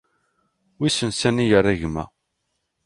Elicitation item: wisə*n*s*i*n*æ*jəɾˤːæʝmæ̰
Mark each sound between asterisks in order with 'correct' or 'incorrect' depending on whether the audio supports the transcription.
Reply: correct, incorrect, incorrect

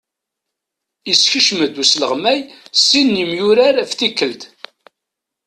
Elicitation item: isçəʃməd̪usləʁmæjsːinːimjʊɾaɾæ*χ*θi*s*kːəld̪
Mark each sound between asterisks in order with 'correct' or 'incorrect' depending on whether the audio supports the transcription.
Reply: incorrect, incorrect

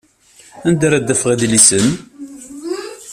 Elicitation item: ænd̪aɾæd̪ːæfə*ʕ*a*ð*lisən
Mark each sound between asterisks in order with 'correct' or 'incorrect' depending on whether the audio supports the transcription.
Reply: incorrect, correct

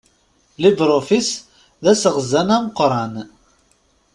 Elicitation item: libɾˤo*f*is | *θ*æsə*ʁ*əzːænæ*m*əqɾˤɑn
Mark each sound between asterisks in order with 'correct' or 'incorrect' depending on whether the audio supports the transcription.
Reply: correct, incorrect, correct, correct

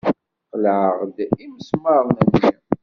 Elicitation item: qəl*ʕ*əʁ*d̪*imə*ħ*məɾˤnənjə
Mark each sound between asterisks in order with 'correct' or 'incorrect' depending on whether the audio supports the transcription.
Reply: correct, correct, incorrect

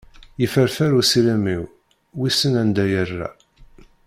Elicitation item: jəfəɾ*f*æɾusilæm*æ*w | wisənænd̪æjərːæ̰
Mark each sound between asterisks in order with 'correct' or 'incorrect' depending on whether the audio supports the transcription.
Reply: correct, incorrect

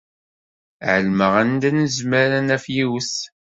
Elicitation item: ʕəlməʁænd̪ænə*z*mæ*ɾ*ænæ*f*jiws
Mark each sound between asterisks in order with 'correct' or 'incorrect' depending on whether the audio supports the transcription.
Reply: correct, correct, correct

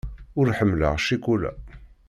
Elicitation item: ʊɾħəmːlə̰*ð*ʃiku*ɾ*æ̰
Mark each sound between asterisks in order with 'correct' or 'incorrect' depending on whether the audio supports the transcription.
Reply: incorrect, incorrect

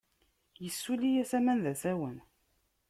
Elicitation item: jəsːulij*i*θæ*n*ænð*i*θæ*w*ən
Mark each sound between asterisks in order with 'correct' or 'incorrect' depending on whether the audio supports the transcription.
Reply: incorrect, incorrect, incorrect, correct

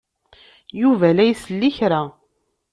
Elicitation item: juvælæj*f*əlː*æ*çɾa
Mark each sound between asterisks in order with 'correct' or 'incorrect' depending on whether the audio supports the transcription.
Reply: incorrect, incorrect

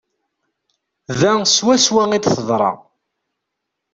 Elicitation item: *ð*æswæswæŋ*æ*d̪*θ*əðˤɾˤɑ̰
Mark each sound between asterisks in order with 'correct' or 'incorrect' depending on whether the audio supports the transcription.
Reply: correct, incorrect, correct

